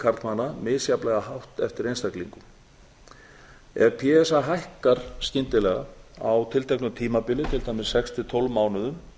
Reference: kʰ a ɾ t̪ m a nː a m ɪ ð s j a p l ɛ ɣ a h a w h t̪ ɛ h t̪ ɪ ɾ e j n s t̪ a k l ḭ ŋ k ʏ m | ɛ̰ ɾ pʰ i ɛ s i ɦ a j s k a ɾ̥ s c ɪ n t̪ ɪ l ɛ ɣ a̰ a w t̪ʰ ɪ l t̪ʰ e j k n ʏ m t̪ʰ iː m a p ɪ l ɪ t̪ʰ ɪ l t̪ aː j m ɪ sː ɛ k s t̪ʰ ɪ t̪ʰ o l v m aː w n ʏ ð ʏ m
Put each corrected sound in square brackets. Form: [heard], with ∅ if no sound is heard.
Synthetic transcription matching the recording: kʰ a ɾ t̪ m a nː a m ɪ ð s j a p l ɛ ɣ a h a w h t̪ ɛ [f] t̪ ɪ ɾ e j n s t̪ a k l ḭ ŋ k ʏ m | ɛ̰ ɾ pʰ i ɛ s [a] ɦ a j [h] k a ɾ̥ s c ɪ n t̪ ɪ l ɛ ɣ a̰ a w t̪ʰ ɪ l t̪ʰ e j k n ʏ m t̪ʰ iː m a p ɪ l ɪ t̪ʰ ɪ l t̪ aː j m ɪ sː ɛ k s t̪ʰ ɪ t̪ʰ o l v m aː w n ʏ ð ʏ m

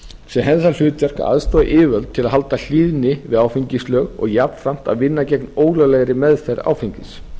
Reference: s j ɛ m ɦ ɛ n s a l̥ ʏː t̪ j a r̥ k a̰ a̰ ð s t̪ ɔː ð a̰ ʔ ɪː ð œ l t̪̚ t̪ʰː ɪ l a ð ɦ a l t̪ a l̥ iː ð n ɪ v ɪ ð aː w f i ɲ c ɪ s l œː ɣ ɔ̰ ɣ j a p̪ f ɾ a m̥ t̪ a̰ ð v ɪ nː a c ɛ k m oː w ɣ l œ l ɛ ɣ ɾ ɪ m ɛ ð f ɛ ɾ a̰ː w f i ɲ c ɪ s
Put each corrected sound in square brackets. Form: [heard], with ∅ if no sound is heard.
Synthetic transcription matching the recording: s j ɛ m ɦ ɛ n s a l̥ ʏː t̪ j a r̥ k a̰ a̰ ð s t̪ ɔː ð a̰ ʔ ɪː [v] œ l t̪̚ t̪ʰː ɪ l a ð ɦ a l t̪ a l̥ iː ð n ɪ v ɪ ð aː w f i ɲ c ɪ s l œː ɣ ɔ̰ ɣ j a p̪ f ɾ a m̥ t̪ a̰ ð v ɪ nː a c ɛ k [n] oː w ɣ l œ l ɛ ɣ ɾ ɪ m ɛ ð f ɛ ɾ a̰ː w f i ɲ c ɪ s

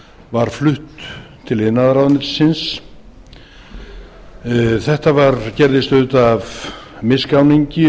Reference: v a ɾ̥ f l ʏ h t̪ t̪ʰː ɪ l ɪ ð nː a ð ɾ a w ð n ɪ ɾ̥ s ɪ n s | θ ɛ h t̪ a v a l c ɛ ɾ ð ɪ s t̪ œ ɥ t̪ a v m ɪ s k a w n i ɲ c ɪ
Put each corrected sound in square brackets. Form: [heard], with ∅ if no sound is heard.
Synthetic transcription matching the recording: v a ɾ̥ f l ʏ h t̪ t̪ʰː ɪ l ɪ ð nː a ð ɾ a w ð n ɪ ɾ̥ s ɪ n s | θ ɛ h t̪ a v a [ɾ] c ɛ ɾ ð ɪ s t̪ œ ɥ t̪ a v m ɪ s k a w n i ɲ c ɪ

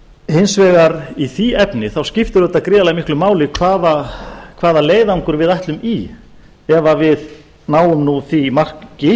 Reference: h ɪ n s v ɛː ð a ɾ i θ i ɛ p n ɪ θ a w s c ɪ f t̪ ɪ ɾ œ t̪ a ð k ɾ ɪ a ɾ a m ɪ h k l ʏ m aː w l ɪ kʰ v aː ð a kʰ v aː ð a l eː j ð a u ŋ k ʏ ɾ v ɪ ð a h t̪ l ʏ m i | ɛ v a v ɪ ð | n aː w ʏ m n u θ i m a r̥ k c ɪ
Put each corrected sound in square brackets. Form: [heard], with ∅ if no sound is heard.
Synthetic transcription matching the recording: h ɪ n s v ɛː [ɣ] a ɾ i θ i ɛ p n ɪ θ a w s c ɪ f t̪ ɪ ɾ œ t̪ a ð k ɾ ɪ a [l] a m ɪ h k l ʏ m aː w l ɪ kʰ v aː ð a kʰ v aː ð a l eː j ð a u ŋ k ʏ ɾ v ɪ ð a h t̪ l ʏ m i | ɛ v a v ɪ ð | n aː w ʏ m n u θ i m a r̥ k c ɪ

